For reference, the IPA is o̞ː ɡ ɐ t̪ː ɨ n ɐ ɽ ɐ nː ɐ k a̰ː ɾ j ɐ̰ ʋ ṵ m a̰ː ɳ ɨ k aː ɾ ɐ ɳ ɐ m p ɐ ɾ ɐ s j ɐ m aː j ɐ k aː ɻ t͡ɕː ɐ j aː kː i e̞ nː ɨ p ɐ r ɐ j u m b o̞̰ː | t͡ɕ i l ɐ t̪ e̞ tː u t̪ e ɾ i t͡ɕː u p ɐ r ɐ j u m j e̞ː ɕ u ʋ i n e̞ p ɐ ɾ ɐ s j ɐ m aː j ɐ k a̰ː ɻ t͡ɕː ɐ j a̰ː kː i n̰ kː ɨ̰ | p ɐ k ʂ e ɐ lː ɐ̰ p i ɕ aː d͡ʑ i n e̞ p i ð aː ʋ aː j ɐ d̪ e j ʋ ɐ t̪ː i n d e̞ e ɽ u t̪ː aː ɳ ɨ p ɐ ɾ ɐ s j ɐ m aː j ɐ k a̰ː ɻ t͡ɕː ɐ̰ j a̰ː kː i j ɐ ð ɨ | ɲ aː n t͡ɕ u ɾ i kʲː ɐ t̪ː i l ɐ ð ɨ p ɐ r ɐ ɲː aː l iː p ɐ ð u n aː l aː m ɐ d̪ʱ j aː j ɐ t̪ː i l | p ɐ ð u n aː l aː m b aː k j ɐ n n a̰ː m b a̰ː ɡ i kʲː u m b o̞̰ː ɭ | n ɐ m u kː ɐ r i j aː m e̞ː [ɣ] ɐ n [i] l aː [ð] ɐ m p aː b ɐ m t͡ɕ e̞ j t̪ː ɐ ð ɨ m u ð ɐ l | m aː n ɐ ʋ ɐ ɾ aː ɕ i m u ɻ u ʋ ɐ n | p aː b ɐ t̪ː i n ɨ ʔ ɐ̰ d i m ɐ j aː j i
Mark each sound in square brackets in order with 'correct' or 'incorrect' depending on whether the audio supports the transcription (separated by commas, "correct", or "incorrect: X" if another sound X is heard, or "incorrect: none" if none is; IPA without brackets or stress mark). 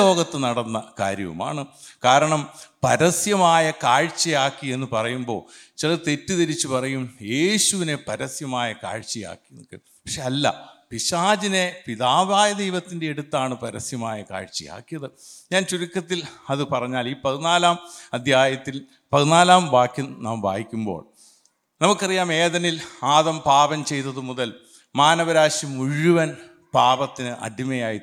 incorrect: ð, correct, correct